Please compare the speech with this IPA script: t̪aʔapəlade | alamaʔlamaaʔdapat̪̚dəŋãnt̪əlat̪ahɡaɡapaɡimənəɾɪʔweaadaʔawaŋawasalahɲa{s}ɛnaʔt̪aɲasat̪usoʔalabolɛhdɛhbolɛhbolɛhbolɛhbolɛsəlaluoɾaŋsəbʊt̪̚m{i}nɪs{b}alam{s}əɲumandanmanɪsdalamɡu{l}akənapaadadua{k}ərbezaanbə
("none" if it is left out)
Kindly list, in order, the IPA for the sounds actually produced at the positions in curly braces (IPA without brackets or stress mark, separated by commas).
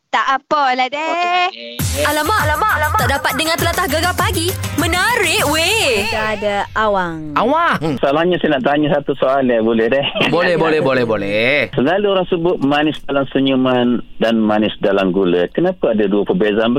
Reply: s, a, d, s, l, p